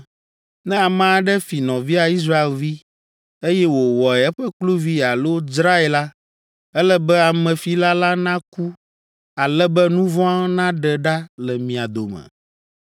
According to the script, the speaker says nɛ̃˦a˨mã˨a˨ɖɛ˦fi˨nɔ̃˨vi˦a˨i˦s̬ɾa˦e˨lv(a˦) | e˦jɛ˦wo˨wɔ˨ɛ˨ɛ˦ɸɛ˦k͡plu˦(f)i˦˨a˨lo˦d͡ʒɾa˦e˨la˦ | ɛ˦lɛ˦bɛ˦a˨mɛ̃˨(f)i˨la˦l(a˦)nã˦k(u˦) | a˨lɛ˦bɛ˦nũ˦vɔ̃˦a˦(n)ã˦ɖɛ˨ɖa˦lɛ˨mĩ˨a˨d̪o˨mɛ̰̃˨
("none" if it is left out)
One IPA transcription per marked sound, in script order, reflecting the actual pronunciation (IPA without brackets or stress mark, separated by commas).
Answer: i˦, v, f, a˦, u˦, n